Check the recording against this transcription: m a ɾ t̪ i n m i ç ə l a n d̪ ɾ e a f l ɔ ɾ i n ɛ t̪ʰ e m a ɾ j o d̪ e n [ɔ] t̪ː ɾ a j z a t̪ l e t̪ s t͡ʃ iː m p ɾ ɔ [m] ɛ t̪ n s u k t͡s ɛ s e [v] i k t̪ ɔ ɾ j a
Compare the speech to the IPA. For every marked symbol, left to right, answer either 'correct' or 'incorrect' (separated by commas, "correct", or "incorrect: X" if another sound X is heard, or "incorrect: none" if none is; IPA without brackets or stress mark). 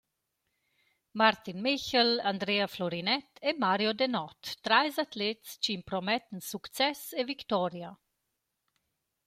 correct, correct, correct